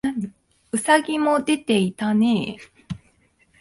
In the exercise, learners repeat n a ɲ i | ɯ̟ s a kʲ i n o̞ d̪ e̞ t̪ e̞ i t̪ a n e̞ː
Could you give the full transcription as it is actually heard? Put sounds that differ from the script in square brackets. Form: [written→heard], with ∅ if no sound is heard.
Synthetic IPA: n a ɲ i | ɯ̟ s a [kʲ→ɡʲ] i [n→m] o̞ d̪ e̞ t̪ e̞ i t̪ a n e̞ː